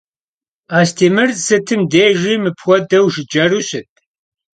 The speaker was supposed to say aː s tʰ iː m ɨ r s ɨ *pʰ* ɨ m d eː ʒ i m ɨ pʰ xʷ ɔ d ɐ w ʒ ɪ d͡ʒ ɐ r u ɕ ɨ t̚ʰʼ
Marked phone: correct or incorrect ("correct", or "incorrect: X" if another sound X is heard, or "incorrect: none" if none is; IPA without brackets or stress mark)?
incorrect: tʰ